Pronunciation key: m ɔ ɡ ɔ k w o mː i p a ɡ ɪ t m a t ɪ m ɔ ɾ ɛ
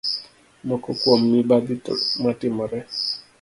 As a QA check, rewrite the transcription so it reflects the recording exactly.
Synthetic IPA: m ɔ k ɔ k w o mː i b a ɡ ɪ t m a t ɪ m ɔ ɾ ɛ